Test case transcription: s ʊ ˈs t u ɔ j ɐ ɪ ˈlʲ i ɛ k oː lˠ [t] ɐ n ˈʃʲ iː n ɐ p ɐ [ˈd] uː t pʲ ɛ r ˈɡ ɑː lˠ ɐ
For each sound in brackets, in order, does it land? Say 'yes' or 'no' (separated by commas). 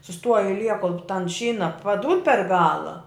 yes, yes